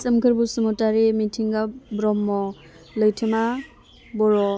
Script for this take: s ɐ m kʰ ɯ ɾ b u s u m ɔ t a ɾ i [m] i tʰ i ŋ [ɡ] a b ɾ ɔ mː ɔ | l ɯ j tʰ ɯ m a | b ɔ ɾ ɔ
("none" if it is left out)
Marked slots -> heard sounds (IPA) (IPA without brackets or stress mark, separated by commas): m, ɡ